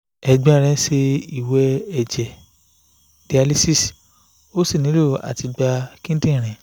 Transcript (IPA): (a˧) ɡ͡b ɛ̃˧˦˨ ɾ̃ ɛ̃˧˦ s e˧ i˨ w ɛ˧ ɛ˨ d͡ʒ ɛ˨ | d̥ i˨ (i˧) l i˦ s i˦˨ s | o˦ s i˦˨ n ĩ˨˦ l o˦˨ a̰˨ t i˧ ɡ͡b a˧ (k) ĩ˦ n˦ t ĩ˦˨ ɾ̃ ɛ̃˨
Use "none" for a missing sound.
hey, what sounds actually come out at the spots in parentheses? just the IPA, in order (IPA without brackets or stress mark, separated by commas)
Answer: ɛ˧, a˧, k